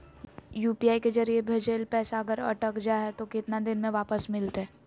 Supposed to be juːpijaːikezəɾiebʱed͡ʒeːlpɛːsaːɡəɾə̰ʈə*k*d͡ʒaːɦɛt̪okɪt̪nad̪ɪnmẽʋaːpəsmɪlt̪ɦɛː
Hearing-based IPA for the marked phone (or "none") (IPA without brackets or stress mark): k